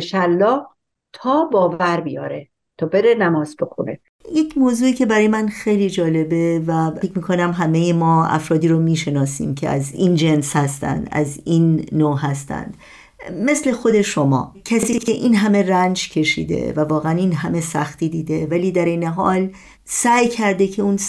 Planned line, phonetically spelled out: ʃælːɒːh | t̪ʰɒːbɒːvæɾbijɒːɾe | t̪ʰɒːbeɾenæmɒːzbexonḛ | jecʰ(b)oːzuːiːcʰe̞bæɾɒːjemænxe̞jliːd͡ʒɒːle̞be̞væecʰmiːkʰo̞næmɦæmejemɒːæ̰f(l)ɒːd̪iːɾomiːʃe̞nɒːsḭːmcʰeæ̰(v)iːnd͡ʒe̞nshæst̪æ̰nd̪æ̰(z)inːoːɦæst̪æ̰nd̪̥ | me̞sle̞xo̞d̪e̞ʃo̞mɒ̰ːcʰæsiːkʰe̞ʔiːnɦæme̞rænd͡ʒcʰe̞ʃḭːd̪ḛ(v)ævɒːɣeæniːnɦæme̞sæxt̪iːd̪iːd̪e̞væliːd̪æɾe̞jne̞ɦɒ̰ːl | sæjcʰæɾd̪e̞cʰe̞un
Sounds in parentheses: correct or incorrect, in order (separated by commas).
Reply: incorrect, incorrect, incorrect, correct, correct